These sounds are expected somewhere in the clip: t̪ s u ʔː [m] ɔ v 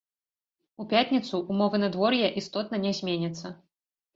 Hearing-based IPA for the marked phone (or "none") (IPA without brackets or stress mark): m